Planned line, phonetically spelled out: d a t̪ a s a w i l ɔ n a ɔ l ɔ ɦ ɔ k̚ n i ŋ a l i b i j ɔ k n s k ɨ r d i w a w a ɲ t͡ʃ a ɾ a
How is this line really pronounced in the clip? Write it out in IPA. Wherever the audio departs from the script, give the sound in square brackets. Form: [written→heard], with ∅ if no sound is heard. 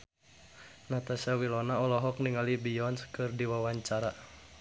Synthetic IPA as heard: [d→n] a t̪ a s a w i l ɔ n a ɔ l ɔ ɦ ɔ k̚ n i ŋ a l i b i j ɔ [k→∅] n s k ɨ r d i w a w a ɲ t͡ʃ a ɾ a